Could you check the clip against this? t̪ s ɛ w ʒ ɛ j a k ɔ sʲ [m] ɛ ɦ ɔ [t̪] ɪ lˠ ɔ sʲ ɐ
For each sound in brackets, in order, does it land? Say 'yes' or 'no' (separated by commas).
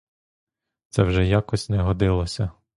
no, no